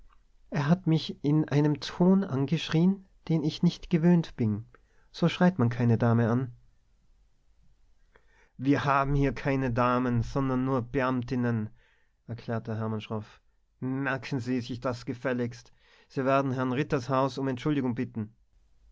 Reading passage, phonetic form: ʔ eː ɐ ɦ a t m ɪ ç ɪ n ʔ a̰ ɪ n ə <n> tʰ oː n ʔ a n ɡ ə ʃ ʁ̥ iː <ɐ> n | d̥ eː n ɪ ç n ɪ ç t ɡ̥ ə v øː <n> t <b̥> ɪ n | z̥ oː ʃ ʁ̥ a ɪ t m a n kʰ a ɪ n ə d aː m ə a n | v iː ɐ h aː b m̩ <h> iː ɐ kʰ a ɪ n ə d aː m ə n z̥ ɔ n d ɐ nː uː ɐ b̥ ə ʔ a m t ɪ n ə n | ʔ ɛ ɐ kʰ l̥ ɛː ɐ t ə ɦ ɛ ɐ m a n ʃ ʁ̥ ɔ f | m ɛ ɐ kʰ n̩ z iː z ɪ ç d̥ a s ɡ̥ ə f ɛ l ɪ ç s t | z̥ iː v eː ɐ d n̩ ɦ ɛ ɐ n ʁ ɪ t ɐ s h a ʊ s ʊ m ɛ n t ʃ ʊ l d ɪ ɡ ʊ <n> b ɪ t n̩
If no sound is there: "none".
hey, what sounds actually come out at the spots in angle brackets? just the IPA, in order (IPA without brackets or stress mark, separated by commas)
m, ə, n, b̥, h, ŋ